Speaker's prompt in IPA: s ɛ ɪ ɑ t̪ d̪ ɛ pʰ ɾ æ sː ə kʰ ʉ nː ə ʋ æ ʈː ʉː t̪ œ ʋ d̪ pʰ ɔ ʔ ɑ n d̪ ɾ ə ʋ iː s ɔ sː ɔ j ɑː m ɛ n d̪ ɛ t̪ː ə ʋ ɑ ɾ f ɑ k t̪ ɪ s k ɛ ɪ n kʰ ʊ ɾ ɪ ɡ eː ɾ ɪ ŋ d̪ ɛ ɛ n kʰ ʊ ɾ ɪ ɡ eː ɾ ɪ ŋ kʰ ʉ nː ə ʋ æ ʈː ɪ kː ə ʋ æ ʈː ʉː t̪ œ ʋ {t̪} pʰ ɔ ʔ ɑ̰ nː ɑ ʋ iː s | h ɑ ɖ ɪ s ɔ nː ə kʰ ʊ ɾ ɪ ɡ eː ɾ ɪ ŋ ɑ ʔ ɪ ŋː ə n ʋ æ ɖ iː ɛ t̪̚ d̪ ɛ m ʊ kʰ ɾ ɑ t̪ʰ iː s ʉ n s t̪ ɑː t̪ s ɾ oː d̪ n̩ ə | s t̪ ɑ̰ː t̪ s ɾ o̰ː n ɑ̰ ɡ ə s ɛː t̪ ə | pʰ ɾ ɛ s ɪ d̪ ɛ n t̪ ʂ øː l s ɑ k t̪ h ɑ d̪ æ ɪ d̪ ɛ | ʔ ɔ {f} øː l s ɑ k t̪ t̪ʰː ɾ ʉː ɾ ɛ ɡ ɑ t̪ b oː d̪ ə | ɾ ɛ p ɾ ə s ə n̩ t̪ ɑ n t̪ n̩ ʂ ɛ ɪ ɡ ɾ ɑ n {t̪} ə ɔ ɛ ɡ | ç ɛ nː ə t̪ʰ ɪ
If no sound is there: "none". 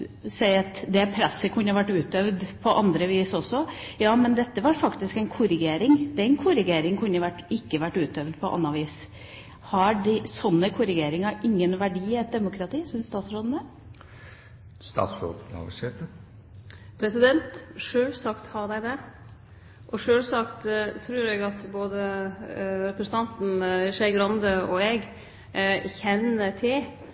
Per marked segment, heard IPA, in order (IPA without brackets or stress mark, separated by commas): d̪, ʂ, d̪